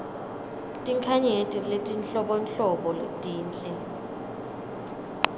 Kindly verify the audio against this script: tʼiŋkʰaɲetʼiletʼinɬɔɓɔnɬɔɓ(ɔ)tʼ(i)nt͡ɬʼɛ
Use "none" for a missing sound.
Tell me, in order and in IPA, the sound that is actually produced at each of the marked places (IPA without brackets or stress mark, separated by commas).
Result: ɔ, iː